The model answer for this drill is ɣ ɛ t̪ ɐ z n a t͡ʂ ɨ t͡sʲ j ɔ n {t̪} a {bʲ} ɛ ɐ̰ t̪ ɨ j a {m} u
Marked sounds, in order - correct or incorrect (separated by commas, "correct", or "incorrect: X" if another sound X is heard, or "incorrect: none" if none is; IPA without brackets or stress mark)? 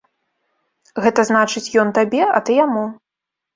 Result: correct, correct, correct